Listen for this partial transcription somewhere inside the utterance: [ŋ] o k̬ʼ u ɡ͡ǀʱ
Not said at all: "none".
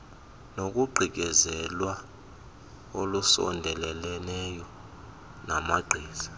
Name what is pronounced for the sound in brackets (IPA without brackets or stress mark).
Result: n